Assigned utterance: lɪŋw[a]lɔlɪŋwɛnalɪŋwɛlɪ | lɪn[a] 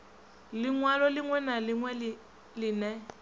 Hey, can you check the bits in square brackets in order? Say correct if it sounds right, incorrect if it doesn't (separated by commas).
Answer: correct, incorrect